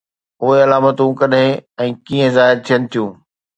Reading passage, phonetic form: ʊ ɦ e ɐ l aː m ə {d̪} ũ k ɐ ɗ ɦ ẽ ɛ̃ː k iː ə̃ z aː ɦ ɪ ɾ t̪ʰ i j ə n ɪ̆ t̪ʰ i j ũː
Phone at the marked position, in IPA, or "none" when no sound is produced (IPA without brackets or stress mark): t̪